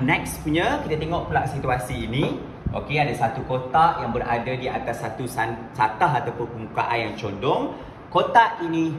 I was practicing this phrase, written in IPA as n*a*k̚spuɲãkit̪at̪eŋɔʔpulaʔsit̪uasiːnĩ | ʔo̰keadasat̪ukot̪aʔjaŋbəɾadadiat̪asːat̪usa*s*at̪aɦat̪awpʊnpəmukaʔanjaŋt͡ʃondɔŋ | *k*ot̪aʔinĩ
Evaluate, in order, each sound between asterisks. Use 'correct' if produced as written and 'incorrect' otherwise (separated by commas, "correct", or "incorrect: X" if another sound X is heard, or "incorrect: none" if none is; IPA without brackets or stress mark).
incorrect: ɛ, correct, correct